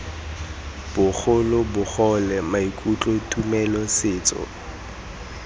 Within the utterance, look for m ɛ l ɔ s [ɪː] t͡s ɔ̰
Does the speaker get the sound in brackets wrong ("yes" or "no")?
no